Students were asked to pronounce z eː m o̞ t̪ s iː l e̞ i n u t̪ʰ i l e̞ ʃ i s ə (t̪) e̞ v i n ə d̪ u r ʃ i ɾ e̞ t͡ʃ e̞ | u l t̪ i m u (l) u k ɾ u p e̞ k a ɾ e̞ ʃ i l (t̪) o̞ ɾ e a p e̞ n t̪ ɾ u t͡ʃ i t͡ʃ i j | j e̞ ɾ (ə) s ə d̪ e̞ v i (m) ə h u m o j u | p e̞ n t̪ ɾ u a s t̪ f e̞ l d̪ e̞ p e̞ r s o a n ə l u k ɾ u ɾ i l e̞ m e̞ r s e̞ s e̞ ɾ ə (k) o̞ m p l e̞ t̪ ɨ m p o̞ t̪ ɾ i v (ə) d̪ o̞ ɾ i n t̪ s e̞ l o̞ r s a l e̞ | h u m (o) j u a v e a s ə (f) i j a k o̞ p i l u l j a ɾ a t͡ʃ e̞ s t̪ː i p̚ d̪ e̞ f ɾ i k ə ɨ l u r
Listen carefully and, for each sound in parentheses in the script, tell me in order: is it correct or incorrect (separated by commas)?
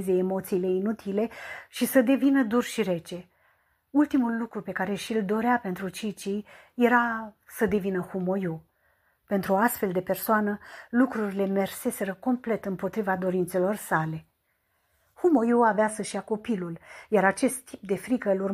incorrect, incorrect, incorrect, incorrect, incorrect, correct, incorrect, correct, incorrect